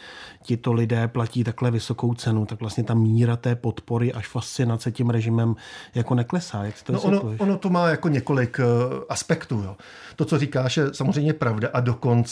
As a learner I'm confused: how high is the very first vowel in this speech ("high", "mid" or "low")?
high